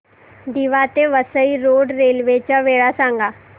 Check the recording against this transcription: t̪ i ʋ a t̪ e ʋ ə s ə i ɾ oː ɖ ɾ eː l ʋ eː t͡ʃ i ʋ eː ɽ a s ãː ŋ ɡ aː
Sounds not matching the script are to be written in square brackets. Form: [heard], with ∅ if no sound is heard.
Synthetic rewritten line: [d̪] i ʋ a t̪ e ʋ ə s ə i ɾ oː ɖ ɾ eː l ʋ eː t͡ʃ [a] ʋ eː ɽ a s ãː ŋ ɡ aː